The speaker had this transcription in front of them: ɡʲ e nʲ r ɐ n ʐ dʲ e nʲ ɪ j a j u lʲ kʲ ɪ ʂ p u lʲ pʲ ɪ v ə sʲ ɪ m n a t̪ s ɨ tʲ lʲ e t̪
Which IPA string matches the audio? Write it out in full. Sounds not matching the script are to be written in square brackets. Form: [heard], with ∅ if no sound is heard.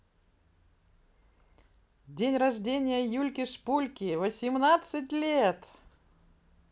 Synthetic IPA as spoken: [dʲ] e nʲ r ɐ [∅] ʐ dʲ e nʲ ɪ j [ə] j u lʲ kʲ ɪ ʂ p u lʲ [kʲ] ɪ v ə sʲ ɪ m n a t̪ s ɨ tʲ lʲ e t̪